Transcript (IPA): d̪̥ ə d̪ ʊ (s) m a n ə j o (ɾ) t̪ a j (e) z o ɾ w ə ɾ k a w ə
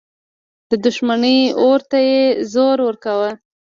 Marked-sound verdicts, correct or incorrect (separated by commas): incorrect, correct, correct